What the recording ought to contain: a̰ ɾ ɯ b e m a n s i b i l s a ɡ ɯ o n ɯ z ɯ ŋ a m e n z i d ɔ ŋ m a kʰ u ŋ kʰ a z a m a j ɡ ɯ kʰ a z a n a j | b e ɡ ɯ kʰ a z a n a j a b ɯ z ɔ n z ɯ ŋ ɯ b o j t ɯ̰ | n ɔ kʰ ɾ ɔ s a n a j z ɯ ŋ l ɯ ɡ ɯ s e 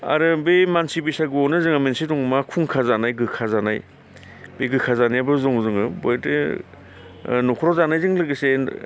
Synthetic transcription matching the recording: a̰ ɾ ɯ b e m a n s i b i s a ɡ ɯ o n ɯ z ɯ ŋ a m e n s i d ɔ ŋ m a kʰ u ŋ kʰ a z a n a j ɡ ɯ kʰ a z a n a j | b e ɡ ɯ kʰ a z a n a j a b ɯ z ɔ ŋ z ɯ ŋ ɯ b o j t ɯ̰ | n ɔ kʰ ɾ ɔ z a n a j z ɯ ŋ l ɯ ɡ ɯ s e